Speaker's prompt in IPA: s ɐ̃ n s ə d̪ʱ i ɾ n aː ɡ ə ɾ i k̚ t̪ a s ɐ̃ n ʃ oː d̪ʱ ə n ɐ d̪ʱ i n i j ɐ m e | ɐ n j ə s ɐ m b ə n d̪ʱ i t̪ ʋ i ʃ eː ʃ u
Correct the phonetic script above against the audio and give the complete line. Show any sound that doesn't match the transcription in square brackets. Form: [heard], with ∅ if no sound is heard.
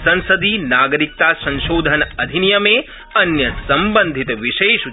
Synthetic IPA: s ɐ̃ n s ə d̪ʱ i [∅] n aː ɡ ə ɾ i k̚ t̪ a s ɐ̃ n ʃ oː d̪ʱ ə n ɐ d̪ʱ i n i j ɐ m e | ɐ n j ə s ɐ m b ə n d̪ʱ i t̪ ʋ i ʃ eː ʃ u